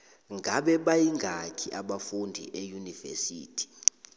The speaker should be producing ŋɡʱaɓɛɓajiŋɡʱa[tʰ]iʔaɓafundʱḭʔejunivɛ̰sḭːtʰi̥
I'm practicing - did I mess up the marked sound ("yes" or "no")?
yes